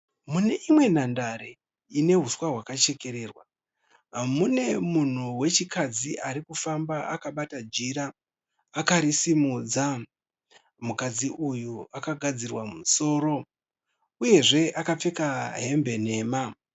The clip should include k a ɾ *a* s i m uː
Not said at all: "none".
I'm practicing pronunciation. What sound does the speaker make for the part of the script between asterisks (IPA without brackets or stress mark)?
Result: i